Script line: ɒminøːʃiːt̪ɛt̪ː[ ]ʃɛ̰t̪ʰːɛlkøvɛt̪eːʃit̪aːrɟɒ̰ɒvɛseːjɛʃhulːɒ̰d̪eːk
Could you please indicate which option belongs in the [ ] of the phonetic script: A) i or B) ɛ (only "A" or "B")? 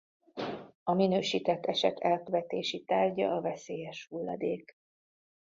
B